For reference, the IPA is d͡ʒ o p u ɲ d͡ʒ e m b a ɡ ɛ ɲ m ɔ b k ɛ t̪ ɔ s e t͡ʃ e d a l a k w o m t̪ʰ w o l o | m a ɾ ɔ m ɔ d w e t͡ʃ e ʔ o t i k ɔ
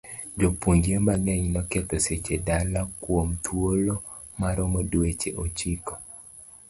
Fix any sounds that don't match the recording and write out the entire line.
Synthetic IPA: d͡ʒ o p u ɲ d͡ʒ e m b a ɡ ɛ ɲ n ɔ k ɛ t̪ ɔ s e t͡ʃ e d a l a k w o m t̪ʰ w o l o | m a ɾ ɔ m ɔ d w e t͡ʃ e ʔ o t͡ʃ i k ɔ